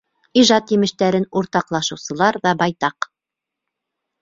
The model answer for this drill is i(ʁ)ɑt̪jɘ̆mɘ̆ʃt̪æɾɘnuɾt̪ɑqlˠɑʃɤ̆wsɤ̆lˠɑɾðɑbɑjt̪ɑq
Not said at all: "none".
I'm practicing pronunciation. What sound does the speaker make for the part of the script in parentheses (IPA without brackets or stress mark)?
ʒ